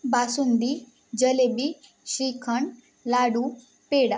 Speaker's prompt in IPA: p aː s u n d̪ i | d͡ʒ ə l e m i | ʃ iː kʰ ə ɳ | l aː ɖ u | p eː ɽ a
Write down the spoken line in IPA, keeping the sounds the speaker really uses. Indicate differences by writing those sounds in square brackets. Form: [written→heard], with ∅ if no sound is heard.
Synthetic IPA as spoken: [p→b] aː s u n d̪ i | d͡ʒ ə l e [m→b] i | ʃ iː kʰ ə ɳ | l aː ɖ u | p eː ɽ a